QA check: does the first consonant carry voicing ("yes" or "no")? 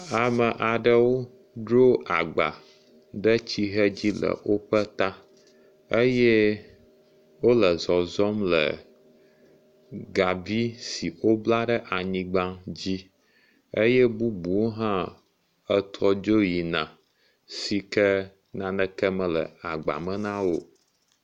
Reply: yes